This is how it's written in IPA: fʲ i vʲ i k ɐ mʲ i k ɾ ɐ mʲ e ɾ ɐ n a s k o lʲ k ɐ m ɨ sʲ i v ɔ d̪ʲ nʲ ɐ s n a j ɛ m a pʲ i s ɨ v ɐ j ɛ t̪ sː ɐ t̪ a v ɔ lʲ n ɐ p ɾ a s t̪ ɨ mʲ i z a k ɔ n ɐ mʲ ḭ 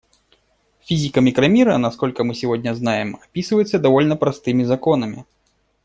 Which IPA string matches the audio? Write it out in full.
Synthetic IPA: fʲ i zʲ i k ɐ mʲ i k ɾ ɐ mʲ i ɾ ɐ n a s k ɔ lʲ k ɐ m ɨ sʲ i v ɔ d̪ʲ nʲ ɐ z n a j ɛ m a pʲ i s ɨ v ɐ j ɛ t̪ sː ɐ d̪ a v ɔ lʲ n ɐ p ɾ a s t̪ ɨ mʲ i z a k ɔ n ɐ mʲ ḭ